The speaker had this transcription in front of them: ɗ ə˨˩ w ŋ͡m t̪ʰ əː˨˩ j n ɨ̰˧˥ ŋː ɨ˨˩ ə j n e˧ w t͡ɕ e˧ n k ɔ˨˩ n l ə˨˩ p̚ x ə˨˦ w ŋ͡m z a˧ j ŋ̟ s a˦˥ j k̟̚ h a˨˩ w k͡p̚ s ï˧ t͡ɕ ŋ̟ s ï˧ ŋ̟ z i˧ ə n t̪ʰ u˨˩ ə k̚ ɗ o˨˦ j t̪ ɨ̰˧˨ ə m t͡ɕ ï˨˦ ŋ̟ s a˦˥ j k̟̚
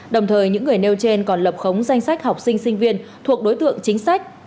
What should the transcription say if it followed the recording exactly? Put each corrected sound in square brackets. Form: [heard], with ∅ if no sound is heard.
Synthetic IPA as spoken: ɗ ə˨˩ w ŋ͡m t̪ʰ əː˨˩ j [ɲ] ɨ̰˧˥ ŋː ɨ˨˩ ə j n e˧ w t͡ɕ e˧ n k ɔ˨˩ n l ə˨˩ p̚ x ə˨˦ w ŋ͡m z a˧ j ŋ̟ s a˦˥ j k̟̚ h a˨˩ w k͡p̚ s ï˧ [∅] ŋ̟ s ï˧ ŋ̟ [v] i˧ ə n t̪ʰ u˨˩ ə k̚ ɗ o˨˦ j t̪ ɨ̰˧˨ ə [ŋ] t͡ɕ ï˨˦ ŋ̟ s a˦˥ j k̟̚